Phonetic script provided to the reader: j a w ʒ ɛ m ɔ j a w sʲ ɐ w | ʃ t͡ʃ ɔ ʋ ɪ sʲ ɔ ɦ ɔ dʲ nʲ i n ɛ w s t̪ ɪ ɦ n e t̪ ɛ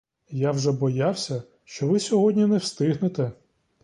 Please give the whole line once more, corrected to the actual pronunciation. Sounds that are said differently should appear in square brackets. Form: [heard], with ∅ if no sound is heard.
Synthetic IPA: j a w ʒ ɛ [b] ɔ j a w sʲ ɐ [∅] | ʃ t͡ʃ ɔ ʋ ɪ sʲ ɔ ɦ ɔ dʲ nʲ i n ɛ w s t̪ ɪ ɦ n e t̪ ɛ